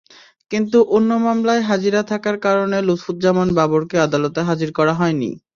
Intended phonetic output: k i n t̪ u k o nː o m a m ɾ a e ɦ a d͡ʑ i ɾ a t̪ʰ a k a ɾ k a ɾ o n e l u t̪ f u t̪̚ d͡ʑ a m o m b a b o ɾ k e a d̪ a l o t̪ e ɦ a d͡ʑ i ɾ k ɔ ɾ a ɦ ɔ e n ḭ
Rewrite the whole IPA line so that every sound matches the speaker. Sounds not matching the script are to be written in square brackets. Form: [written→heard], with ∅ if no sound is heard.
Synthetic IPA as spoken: k i n t̪ u [k→ʔ] o nː o m a m [ɾ→l] a e ɦ a d͡ʑ i ɾ a t̪ʰ a k a ɾ k a ɾ o n e l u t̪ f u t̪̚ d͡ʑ a m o [m→n] b a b o ɾ k e a d̪ a l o t̪ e ɦ a d͡ʑ i ɾ k ɔ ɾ a ɦ ɔ e n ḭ